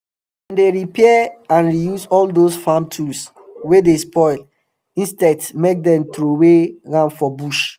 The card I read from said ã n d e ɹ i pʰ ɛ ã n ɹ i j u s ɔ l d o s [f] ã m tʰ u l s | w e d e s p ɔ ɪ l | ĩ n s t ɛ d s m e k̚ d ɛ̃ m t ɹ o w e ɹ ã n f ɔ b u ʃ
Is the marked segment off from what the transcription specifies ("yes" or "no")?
no